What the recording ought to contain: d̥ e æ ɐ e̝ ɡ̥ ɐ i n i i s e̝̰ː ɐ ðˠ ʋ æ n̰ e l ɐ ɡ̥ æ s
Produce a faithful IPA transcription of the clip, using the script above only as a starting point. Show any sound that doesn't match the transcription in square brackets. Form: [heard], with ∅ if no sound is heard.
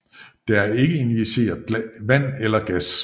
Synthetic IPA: d̥ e æ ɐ e̝ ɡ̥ [ə] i n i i s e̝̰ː ɐ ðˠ ʋ æ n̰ e l ɐ ɡ̥ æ s